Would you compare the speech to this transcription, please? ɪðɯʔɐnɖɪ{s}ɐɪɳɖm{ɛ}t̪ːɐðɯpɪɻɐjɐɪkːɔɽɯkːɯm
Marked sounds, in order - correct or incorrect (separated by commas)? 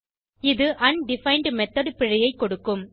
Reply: incorrect, correct